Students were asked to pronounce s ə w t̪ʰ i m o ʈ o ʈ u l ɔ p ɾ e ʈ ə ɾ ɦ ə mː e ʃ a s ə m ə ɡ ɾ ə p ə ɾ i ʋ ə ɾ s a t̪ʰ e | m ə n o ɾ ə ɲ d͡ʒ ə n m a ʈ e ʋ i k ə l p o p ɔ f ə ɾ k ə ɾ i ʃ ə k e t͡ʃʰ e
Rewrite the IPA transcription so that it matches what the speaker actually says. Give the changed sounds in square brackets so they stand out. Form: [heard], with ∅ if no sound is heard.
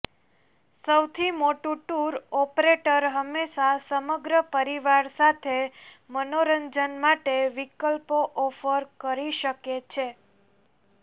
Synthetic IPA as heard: s ə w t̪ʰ i m o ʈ [u] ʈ u [ɾ] ɔ p ɾ e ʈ ə ɾ ɦ ə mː e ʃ a s ə m ə ɡ ɾ ə p ə ɾ i ʋ [a] ɾ s a t̪ʰ e | m ə n o ɾ ə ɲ d͡ʒ ə n m a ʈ e ʋ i k ə l p o [ʔ] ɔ f ə ɾ k ə ɾ i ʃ ə k e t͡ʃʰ e